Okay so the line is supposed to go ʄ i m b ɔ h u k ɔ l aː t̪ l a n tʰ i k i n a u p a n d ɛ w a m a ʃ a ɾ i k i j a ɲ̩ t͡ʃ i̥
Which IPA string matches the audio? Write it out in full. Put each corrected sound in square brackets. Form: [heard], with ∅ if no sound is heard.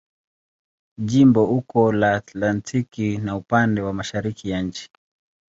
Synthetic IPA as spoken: ʄ i m b ɔ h u k ɔ l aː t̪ l a n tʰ i k i n a u p a n d ɛ w a m a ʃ a ɾ i k i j a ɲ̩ t͡ʃ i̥